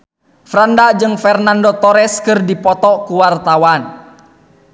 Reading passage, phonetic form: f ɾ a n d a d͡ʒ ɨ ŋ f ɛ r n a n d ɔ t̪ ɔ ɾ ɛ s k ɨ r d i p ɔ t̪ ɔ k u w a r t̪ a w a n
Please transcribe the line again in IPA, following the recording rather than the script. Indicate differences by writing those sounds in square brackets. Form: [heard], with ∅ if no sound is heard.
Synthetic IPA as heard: f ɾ a n d a d͡ʒ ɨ ŋ f ɛ r n a n d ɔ t̪ ɔ ɾ ɛ s k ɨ r d i p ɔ t̪ ɔ k u w a r t̪ a w a n